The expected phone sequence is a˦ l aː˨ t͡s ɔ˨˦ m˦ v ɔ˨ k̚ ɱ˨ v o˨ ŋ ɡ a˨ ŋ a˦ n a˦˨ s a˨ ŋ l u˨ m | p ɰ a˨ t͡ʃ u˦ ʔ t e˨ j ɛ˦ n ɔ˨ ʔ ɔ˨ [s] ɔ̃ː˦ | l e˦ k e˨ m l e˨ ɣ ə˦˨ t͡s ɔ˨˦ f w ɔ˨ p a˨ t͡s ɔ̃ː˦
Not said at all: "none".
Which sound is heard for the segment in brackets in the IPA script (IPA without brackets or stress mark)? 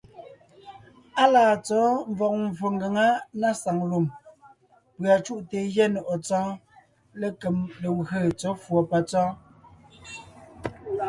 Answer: t͡s